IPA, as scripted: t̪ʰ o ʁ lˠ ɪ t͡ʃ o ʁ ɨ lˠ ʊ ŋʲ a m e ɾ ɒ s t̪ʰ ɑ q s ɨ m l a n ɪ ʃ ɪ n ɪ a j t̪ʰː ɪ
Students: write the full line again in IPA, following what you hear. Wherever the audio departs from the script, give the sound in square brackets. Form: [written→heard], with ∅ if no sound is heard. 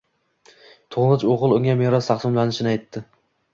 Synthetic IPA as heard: t̪ʰ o ʁ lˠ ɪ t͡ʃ o ʁ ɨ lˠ ʊ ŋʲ a m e ɾ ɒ s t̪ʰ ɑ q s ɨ m l a n ɪ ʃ ɪ n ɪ a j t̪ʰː ɪ